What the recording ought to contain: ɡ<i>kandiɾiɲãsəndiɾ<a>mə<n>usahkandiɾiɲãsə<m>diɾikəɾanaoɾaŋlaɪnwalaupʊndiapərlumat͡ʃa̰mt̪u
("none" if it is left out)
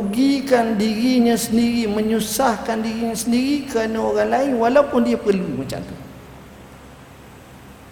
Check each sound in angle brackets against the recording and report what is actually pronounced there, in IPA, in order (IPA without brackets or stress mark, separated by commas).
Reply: i, i, ɲ, n